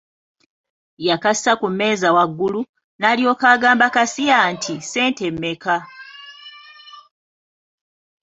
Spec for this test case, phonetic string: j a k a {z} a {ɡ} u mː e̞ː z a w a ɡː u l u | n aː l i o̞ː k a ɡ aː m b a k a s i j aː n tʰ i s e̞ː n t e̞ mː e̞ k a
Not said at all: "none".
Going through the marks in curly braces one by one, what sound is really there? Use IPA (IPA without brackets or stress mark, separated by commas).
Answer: s, k